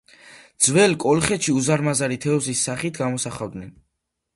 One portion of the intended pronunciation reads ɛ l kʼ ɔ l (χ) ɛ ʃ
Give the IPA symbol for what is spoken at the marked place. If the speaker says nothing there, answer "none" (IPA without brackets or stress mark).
χ